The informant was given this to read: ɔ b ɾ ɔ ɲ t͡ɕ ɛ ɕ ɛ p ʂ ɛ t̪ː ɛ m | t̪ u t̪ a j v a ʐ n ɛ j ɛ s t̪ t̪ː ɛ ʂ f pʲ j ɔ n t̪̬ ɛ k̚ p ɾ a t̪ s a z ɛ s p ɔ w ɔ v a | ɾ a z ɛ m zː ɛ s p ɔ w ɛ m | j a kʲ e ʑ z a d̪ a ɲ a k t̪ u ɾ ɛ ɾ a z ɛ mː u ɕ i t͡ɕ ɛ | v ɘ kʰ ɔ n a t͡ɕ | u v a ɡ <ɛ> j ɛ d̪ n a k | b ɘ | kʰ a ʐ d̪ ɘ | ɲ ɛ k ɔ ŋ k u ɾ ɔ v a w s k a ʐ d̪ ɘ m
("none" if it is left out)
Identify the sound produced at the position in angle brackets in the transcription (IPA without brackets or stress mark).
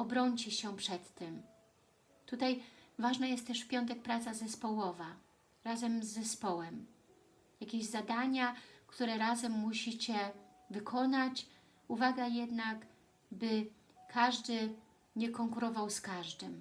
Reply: a